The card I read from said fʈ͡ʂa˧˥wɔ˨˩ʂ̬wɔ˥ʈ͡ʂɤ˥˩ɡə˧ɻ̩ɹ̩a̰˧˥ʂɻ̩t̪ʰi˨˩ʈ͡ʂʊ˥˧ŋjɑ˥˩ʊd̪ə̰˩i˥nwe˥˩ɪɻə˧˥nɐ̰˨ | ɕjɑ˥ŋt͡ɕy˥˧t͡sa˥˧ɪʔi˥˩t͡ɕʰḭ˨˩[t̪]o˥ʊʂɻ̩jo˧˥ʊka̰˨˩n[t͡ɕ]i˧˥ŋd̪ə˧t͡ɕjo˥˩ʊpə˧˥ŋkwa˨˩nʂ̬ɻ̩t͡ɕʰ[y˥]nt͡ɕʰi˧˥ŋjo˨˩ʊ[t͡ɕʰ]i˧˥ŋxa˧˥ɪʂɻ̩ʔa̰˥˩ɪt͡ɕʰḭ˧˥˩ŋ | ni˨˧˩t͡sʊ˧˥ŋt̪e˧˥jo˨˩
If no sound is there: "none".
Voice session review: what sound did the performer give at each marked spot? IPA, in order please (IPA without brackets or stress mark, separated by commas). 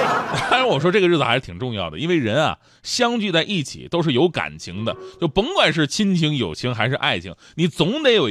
t̪, t͡ɕʰ, i˥, t͡ɕʰ